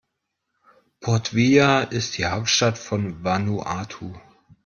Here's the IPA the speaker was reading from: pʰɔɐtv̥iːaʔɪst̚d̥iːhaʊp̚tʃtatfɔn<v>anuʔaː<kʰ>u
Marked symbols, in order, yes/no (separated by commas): yes, no